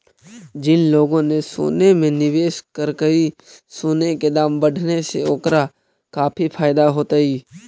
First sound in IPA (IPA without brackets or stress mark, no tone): d͡ʒ